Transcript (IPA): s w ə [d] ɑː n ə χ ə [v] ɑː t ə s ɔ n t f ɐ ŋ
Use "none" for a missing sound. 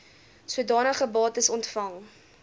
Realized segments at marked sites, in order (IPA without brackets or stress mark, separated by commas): d, b